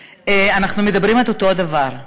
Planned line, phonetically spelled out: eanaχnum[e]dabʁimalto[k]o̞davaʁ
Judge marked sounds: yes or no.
yes, no

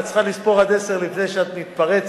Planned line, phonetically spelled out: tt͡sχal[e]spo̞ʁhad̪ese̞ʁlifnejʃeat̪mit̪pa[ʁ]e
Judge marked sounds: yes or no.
no, yes

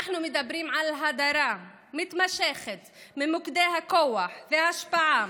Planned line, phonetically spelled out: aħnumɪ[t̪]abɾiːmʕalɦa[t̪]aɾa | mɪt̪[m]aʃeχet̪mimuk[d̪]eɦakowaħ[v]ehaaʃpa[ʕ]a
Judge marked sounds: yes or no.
no, no, yes, yes, yes, yes

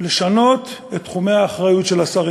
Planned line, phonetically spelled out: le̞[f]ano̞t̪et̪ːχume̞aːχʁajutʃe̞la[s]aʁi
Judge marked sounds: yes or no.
no, yes

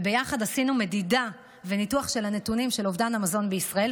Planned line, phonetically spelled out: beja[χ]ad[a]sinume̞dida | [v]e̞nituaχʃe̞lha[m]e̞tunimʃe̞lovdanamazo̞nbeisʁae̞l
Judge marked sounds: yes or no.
yes, yes, yes, no

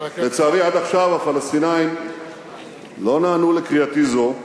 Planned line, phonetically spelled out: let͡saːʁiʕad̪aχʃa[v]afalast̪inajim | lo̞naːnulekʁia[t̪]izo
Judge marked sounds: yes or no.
yes, yes

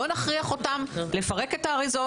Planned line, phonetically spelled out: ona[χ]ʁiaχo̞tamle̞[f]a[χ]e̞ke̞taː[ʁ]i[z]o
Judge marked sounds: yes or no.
yes, yes, no, yes, yes

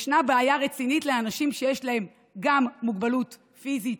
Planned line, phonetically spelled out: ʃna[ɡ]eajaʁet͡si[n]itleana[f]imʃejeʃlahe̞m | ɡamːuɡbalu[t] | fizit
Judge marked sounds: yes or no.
no, yes, no, yes

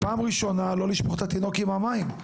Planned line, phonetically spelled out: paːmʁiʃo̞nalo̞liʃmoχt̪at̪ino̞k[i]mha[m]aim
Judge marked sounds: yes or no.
yes, yes

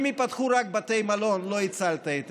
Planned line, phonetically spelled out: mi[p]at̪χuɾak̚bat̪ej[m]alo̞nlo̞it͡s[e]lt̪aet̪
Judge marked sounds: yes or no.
yes, yes, no

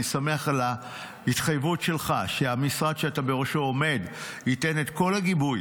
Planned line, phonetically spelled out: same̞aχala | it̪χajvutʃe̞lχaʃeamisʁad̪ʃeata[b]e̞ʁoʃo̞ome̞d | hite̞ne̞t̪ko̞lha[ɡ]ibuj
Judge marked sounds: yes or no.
yes, yes

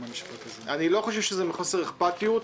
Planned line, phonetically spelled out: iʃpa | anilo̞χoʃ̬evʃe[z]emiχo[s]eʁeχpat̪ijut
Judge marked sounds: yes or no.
yes, yes

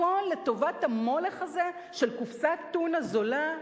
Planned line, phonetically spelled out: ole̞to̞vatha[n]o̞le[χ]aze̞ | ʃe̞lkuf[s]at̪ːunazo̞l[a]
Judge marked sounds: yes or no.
no, yes, yes, yes

